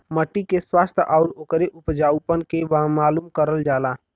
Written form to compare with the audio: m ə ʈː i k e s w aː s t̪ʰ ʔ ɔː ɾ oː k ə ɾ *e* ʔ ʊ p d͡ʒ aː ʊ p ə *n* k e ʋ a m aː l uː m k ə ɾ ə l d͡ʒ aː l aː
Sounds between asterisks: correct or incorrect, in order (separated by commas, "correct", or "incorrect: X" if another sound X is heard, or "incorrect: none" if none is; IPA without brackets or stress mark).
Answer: correct, correct